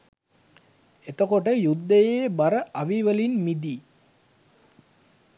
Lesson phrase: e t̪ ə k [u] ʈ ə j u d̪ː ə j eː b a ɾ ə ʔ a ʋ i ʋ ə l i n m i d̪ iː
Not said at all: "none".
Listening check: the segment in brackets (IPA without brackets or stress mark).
o